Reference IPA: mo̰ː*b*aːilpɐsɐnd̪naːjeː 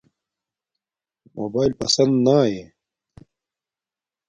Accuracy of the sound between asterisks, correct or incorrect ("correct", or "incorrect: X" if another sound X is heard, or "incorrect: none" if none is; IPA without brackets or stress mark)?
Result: correct